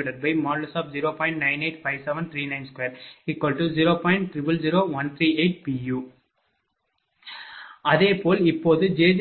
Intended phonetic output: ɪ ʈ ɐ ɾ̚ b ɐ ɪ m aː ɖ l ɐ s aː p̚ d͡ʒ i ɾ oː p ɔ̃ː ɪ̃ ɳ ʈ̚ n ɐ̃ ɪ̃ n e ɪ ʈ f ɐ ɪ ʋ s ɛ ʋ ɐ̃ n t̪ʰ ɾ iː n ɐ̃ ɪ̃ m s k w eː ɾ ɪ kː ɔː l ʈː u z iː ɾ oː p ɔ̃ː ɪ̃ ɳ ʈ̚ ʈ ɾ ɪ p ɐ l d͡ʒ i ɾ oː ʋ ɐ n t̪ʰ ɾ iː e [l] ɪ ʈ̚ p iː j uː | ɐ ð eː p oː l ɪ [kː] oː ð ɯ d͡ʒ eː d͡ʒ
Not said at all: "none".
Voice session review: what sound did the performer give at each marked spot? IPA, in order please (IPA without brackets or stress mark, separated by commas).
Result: none, pː